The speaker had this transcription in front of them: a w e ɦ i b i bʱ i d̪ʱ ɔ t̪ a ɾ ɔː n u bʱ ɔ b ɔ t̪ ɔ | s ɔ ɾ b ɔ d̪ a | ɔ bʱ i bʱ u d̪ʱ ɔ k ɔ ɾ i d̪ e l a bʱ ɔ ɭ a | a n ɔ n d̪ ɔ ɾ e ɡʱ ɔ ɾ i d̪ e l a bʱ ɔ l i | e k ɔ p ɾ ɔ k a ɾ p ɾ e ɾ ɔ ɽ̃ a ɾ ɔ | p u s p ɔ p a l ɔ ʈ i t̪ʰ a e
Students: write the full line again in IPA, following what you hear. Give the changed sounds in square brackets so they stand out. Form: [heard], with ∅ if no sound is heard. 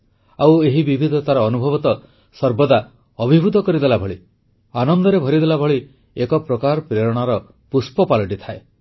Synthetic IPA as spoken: a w e ɦ i b i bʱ i d̪ʱ ɔ t̪ a ɾ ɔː n u bʱ ɔ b ɔ t̪ ɔ | s ɔ ɾ b ɔ d̪ a | ɔ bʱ i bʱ u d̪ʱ ɔ k ɔ ɾ i d̪ e l a bʱ ɔ ɭ [i] | a n ɔ n d̪ ɔ ɾ e [bʱ] ɔ ɾ i d̪ e l a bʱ ɔ [ɭ] i | e k ɔ p ɾ ɔ k a ɾ p ɾ e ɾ ɔ ɽ̃ a ɾ ɔ | p u s p ɔ p a l ɔ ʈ i t̪ʰ a e